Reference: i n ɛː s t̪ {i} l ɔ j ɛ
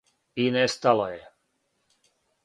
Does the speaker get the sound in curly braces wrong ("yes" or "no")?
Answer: yes